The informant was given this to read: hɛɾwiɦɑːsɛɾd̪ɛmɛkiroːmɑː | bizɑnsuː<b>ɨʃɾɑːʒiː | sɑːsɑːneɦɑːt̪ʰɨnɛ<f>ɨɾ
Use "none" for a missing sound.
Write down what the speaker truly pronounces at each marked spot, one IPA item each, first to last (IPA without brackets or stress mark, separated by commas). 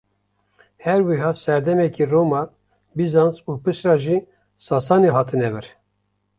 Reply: p, v